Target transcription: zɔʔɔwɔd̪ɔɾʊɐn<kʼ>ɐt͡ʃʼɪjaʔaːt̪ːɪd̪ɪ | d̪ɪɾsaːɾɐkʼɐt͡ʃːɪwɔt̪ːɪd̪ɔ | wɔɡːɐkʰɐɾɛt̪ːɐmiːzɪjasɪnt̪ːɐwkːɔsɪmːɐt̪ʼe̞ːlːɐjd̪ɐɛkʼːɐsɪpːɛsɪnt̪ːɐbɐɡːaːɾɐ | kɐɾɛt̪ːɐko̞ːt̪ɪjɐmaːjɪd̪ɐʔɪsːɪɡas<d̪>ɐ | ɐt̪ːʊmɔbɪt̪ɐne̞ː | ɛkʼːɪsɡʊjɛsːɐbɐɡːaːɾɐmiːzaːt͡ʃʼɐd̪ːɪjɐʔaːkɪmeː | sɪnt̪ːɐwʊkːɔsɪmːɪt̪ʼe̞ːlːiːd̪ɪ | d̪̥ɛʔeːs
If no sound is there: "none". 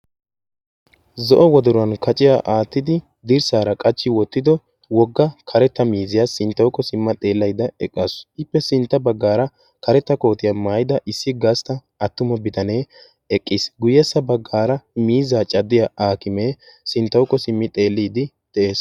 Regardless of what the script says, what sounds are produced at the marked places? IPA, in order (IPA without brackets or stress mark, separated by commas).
k, t̪